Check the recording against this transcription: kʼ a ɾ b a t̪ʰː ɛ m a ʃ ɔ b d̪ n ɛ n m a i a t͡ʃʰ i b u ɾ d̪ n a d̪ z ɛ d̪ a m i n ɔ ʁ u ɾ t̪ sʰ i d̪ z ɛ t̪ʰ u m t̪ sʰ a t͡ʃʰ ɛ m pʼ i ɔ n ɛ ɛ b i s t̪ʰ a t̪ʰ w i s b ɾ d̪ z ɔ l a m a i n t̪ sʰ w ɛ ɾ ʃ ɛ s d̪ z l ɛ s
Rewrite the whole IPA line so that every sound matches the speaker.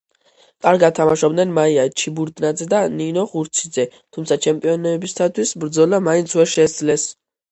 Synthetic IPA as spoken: kʼ a ɾ ɡ a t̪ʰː a m a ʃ ɔ b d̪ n ɛ n m a i a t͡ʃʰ i b u ɾ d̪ n a d̪ z ɛ d̪ a n i n ɔ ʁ u ɾ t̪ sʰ i d̪ z ɛ t̪ʰ u m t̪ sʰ a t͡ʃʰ ɛ m pʼ i ɔ n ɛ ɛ b i s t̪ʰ a t̪ʰ w i s b ɾ d̪ z ɔ l a m a i n t̪ sʰ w ɛ ɾ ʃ ɛ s d̪ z l ɛ s